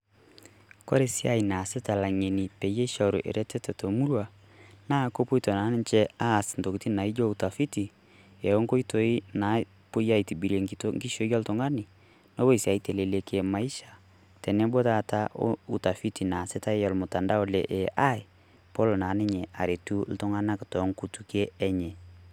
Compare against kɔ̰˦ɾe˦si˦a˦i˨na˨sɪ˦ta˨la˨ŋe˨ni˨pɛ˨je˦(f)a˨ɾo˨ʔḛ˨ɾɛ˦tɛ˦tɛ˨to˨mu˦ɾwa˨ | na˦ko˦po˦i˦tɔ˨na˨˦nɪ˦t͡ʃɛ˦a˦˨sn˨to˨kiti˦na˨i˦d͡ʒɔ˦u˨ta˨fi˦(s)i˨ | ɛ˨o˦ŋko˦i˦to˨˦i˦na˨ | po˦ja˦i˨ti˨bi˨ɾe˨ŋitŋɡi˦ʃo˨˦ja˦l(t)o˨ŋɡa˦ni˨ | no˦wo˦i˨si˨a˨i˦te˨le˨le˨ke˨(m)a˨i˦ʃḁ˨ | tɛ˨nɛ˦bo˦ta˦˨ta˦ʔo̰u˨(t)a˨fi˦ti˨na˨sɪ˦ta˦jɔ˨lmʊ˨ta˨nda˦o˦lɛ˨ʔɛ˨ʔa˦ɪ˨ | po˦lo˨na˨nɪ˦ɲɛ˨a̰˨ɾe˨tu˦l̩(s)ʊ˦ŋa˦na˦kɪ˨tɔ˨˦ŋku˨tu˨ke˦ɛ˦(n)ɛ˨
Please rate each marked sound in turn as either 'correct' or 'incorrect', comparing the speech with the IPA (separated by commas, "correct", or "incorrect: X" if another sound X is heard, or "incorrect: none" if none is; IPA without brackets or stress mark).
incorrect: ʃ, incorrect: t, correct, correct, correct, incorrect: t, incorrect: ɲ